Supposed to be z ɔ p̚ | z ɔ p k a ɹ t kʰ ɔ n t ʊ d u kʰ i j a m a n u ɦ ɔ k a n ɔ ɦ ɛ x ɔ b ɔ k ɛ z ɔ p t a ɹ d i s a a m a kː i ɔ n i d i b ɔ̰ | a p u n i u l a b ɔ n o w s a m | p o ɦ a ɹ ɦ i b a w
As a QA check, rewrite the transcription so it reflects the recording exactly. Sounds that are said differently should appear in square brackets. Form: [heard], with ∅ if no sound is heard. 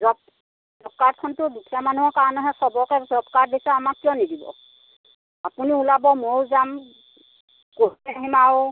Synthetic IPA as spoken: z ɔ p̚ | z ɔ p k a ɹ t kʰ ɔ n t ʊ d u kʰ i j a m a n u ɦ ɔ k a n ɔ ɦ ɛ [s] ɔ b ɔ k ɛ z ɔ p [k] a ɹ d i s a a m a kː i ɔ n i d i b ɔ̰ | a p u n i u l a b ɔ [m] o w [z] a m | [k] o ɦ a [∅] ɦ i [m] a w